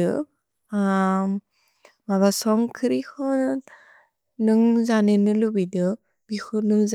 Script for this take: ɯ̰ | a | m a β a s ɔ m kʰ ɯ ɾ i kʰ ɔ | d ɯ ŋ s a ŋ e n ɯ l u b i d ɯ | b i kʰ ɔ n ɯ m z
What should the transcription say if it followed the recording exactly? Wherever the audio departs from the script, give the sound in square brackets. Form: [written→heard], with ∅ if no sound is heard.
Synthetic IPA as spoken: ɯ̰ | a | m a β a s ɔ [m→ŋ] kʰ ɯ ɾ i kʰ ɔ | [d→n] ɯ ŋ [s→z] a [ŋ→n] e n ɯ l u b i d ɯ | b i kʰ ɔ n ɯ [m→ŋ] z